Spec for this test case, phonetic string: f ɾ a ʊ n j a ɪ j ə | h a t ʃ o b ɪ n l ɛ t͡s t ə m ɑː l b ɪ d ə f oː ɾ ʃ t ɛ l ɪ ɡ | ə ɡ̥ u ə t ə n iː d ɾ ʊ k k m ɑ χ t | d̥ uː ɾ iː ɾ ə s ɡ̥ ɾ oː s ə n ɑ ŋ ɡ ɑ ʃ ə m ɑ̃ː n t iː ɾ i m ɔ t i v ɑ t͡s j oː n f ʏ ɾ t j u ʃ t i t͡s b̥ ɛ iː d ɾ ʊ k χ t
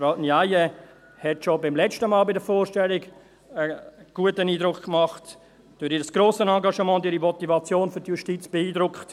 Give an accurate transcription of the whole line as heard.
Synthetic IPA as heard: f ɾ a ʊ n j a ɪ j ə | h ɛ t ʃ o b ɪ m l ɛ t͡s t ə m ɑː l b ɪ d ə f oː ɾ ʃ t ɛ l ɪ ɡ | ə ɡ̥ u ə t ə n iː d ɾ ʊ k k m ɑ χ t | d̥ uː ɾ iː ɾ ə s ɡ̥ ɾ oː s ə n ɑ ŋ ɡ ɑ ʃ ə m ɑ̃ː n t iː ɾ i m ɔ t i v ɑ t͡s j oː n f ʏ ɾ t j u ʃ t i t͡s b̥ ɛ iː d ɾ ʊ k χ t